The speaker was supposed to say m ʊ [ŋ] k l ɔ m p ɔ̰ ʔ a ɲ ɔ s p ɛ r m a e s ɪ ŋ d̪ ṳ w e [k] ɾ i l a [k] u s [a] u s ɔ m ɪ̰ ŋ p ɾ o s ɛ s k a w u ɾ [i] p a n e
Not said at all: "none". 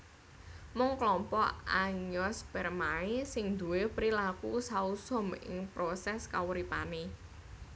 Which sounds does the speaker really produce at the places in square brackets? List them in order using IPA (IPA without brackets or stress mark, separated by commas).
ŋ, p, k, a, i